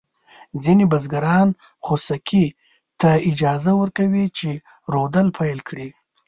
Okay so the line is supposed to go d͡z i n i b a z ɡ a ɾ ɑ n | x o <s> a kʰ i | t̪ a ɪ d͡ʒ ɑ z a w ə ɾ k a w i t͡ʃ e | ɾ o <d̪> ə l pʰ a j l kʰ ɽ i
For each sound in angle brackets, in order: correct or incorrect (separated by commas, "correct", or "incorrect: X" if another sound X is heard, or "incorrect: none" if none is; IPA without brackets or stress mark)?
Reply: correct, correct